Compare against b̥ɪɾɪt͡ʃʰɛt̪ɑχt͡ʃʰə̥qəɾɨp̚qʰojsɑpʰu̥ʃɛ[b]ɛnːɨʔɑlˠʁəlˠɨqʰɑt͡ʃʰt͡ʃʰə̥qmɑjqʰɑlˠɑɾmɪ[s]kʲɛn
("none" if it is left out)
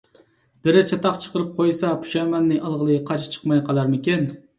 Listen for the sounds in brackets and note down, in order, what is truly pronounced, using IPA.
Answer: m, none

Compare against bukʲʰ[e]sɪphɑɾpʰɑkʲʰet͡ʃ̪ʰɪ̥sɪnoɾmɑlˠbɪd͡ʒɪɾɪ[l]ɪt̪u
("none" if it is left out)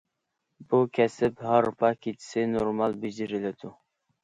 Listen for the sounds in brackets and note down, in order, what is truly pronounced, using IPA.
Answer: ɛ, l

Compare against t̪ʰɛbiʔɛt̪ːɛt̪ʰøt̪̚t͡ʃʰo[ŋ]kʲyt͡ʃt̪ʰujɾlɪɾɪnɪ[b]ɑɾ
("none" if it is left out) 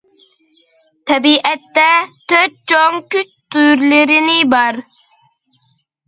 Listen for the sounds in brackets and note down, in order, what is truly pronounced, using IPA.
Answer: ŋ, b

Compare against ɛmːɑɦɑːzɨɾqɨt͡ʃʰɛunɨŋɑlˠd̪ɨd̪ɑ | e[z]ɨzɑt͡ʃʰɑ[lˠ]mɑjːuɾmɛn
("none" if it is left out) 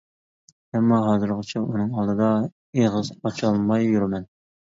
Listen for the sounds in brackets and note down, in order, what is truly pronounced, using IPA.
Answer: ʁ, lˠ

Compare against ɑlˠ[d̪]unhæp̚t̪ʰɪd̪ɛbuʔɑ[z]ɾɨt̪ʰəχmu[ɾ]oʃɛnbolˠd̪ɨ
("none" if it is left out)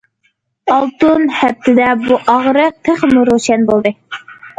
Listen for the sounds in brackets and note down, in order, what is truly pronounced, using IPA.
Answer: t̪, ʁ, ɾ

